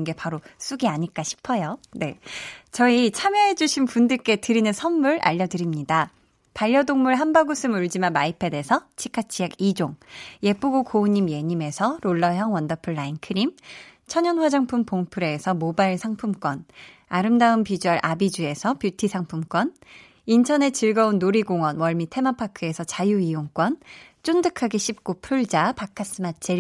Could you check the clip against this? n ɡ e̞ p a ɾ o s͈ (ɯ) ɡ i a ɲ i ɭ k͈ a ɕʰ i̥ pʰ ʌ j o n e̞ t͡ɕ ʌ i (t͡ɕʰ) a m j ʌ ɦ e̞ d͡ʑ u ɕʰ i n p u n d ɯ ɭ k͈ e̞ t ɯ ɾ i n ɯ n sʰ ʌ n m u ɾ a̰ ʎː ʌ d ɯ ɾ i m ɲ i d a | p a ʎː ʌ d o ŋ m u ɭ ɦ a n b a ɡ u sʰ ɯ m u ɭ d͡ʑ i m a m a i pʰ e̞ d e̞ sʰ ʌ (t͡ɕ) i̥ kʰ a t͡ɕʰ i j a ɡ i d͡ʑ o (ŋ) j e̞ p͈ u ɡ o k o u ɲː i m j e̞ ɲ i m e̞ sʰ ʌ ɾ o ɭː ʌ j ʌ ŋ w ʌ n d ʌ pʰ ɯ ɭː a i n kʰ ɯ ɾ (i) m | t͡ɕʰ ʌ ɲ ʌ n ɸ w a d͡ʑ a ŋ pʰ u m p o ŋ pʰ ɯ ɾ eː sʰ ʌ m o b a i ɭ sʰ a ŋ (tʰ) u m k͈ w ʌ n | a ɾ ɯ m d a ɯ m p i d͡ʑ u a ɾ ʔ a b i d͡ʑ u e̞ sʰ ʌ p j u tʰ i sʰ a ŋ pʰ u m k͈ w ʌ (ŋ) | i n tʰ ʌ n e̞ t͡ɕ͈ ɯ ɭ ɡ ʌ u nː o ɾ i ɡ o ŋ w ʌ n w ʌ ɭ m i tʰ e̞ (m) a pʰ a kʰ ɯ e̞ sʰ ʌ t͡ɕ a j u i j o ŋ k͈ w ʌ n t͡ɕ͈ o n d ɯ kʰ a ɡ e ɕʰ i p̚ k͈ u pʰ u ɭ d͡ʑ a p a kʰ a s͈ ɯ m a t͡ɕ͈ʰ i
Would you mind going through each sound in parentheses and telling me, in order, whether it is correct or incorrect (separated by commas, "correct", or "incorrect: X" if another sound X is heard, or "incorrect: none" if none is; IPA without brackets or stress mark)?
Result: incorrect: u, correct, incorrect: t͡ɕʰ, correct, correct, incorrect: pʰ, incorrect: n, correct